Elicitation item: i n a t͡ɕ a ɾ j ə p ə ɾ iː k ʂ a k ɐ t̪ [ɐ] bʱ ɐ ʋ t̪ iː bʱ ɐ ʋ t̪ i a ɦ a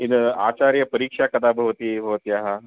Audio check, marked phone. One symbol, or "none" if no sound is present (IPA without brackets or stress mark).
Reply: a